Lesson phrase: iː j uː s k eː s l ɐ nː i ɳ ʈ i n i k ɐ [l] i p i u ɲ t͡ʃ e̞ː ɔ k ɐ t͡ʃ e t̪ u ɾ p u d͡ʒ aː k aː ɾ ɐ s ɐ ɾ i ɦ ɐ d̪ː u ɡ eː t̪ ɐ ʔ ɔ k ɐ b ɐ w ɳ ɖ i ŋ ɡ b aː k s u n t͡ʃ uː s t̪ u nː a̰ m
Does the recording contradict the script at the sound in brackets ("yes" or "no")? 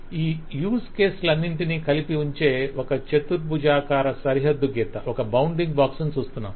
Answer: no